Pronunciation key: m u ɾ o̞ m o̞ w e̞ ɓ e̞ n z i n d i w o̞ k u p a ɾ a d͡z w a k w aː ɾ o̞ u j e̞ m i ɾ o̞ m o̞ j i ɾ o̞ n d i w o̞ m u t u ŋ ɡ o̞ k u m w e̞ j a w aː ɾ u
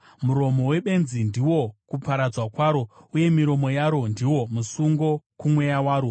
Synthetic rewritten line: m u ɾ o̞ m o̞ w e̞ ɓ e̞ n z i n d i w o̞ k u p a ɾ a d͡z w a k w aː ɾ o̞ u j e̞ m i ɾ o̞ m o̞ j a ɾ o̞ n d i w o̞ m u s u ŋ ɡ o̞ k u m w e̞ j a w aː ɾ o